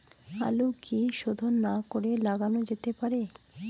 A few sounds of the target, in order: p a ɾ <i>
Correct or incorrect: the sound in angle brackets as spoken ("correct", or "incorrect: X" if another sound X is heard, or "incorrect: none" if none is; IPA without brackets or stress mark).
incorrect: e